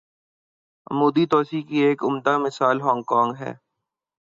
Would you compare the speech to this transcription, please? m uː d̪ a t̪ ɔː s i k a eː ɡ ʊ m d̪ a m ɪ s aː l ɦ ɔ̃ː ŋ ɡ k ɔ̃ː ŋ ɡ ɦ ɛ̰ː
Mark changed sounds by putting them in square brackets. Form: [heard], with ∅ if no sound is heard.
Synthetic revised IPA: m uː d̪ [i] t̪ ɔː s i k [i] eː [k] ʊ m d̪ a m ɪ s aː l ɦ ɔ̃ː ŋ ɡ k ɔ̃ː ŋ ɡ ɦ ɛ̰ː